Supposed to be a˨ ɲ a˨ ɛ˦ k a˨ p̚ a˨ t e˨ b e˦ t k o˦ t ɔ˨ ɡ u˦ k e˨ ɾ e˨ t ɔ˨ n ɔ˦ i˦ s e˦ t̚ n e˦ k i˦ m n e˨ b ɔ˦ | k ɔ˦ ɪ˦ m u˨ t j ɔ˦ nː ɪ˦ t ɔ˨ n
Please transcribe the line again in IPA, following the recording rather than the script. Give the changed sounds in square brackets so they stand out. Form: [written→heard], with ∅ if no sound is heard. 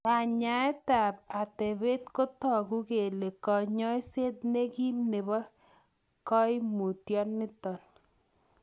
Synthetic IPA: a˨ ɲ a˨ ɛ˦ [k→t] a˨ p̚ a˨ t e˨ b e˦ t k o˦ t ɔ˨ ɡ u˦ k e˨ [ɾ→l] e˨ [t→k] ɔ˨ [n→ɲ] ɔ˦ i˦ s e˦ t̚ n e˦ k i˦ m n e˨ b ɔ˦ | k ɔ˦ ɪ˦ m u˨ t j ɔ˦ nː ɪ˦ t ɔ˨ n